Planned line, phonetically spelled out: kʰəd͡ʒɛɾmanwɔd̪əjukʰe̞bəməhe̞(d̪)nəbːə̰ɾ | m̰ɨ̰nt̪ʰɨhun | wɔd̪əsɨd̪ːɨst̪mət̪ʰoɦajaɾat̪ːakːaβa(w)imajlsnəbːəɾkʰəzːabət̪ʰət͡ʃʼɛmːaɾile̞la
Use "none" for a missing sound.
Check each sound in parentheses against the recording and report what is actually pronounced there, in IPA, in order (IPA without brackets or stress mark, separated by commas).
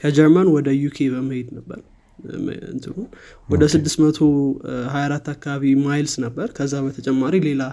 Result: d̪, β